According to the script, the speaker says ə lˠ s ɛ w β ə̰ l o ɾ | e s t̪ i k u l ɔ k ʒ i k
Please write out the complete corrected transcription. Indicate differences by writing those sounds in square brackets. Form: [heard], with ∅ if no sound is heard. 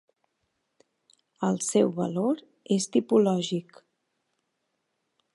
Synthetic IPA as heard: ə lˠ s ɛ w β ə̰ l o ɾ | e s t̪ i [p] u l ɔ [∅] ʒ i k